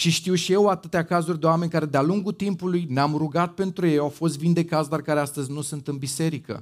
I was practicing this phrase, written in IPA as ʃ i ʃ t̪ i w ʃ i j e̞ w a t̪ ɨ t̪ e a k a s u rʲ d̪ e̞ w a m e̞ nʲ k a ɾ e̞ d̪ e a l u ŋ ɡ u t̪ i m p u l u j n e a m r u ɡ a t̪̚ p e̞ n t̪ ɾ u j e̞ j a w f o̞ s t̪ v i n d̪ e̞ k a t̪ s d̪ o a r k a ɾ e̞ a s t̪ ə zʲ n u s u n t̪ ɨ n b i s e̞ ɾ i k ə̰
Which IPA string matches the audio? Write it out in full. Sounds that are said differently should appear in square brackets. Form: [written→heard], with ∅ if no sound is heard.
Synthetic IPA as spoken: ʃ i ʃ t̪ i w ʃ i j e̞ w a t̪ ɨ t̪ e a k a [s→z] u rʲ d̪ e̞ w a m e̞ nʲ k a ɾ e̞ d̪ e a l u ŋ ɡ u t̪ i m p u l u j n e a m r u ɡ a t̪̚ p e̞ n t̪ ɾ u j e̞ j a w f o̞ s t̪ v i n d̪ e̞ k a t̪ s d̪ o a r k a ɾ e̞ a s t̪ ə zʲ n u s u n t̪ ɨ n b i s e̞ ɾ i k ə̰